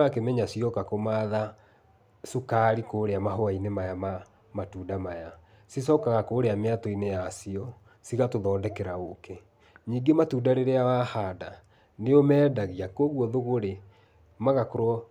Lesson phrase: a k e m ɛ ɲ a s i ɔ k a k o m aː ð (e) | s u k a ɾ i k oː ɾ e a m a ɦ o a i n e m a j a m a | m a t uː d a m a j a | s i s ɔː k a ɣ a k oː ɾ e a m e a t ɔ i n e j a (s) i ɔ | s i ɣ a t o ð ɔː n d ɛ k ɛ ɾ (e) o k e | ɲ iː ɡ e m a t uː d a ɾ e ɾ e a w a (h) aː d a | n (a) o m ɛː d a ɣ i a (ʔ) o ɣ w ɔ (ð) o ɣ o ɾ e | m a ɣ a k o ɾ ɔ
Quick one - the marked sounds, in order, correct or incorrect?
incorrect: a, correct, incorrect: a, correct, incorrect: e, incorrect: k, correct

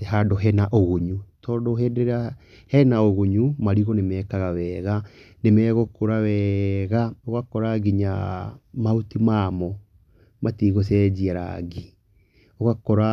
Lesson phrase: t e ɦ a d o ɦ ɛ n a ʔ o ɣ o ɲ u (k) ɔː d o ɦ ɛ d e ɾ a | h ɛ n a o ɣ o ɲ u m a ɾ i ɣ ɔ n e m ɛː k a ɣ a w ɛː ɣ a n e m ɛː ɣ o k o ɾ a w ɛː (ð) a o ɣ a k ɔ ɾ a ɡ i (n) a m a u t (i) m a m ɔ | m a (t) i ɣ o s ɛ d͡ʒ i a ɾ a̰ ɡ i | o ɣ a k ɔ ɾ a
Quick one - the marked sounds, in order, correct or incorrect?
incorrect: t, incorrect: ɣ, incorrect: ɲ, correct, correct

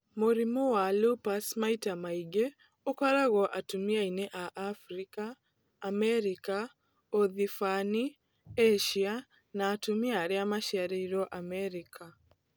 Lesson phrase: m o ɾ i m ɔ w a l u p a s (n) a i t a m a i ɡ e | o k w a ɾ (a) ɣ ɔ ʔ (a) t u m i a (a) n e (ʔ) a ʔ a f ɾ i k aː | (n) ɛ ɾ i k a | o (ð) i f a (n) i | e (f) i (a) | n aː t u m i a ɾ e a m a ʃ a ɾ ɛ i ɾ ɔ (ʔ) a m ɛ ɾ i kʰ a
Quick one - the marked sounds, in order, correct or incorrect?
incorrect: m, correct, correct, incorrect: i, correct, incorrect: m, correct, correct, incorrect: ʃ, correct, correct

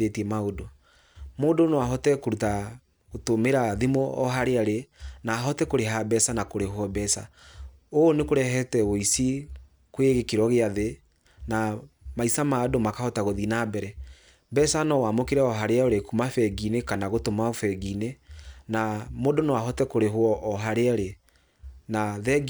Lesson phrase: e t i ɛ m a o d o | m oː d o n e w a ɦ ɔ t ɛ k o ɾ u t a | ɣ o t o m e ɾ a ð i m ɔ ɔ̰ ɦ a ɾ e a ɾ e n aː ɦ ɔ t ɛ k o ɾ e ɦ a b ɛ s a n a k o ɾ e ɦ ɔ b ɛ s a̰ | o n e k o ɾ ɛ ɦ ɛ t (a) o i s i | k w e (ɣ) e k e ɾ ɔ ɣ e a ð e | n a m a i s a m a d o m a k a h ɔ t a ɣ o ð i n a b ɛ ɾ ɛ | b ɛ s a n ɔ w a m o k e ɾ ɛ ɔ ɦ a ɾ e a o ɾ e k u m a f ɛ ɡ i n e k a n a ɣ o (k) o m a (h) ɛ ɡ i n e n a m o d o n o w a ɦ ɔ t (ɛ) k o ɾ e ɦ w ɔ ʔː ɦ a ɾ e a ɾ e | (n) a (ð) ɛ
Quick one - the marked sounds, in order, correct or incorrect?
incorrect: ɛ, correct, incorrect: t, incorrect: f, correct, correct, correct

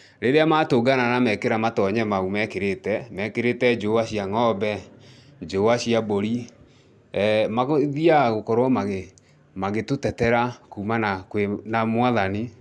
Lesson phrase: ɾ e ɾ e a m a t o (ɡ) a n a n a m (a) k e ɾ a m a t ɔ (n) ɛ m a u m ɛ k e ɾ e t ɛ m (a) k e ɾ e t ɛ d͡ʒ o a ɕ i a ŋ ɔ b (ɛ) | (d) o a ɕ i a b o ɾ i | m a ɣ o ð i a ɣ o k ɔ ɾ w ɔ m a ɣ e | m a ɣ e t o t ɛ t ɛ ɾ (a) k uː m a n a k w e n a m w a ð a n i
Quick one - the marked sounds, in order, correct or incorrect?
correct, incorrect: ɛ, incorrect: ɲ, incorrect: ɛ, correct, incorrect: d͡ʒ, correct

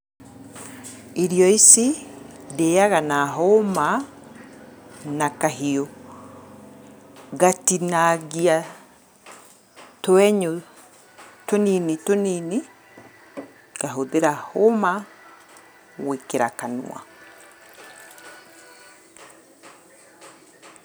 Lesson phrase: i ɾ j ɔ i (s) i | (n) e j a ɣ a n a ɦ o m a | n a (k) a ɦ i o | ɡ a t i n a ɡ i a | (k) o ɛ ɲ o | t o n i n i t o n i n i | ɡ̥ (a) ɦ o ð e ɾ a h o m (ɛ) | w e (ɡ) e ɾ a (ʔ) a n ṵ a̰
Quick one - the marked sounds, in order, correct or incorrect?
correct, incorrect: d, correct, incorrect: t, correct, incorrect: a, incorrect: k, incorrect: k

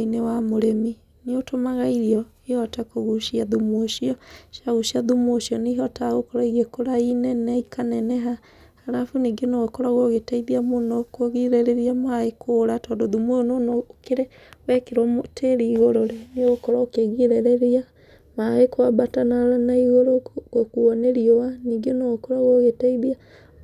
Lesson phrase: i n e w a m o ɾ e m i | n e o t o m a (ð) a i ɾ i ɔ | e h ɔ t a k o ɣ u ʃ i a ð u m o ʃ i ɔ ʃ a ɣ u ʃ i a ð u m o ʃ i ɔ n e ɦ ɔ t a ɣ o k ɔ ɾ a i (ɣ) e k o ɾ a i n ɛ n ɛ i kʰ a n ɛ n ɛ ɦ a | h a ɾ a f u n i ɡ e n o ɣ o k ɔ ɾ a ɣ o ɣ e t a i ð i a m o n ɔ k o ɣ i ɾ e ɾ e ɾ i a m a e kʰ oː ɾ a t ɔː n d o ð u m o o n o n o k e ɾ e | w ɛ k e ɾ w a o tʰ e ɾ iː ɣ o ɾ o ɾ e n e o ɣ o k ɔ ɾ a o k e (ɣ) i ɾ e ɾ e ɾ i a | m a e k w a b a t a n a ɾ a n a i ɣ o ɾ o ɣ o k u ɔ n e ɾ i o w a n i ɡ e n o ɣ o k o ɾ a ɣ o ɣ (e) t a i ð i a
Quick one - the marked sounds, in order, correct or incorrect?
incorrect: ɣ, correct, correct, correct

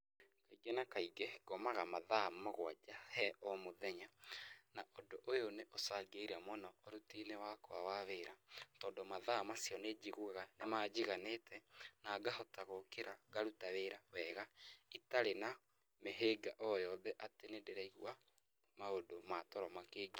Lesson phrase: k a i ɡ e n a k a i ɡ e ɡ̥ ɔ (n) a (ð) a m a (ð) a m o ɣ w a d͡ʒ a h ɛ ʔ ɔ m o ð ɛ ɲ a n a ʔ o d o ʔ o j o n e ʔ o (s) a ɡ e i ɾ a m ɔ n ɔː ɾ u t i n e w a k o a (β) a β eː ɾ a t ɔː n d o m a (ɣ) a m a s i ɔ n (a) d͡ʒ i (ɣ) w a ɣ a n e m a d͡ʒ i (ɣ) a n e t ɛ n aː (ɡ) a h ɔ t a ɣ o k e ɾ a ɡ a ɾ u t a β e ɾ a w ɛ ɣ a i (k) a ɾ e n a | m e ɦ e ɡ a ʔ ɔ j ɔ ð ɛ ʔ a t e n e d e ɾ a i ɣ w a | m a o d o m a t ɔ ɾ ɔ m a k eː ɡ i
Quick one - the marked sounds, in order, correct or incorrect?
incorrect: m, incorrect: ɣ, correct, correct, incorrect: w, incorrect: ð, incorrect: e, correct, correct, correct, incorrect: t

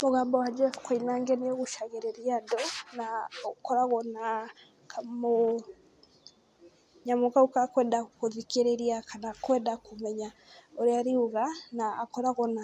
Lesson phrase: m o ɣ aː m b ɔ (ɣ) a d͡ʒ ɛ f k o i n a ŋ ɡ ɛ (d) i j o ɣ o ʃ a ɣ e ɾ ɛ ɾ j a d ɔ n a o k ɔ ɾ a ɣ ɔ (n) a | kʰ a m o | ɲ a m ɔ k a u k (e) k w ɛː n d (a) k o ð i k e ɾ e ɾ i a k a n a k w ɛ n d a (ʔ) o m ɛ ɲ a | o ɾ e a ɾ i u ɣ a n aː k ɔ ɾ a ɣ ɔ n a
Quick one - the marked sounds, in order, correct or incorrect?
incorrect: w, incorrect: n, correct, incorrect: a, correct, incorrect: k

